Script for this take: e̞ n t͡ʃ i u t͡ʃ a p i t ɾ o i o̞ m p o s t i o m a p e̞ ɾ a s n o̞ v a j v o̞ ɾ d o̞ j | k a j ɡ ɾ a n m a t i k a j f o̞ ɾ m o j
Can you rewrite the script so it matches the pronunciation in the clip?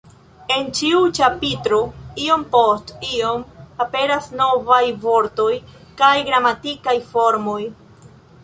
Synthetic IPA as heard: e̞ n t͡ʃ i u t͡ʃ a p i t ɾ o i o̞ m p o s t i o m a p e̞ ɾ a s n o̞ v a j v o̞ ɾ t o̞ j | k a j ɡ ɾ a m a t i k a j f o̞ ɾ m o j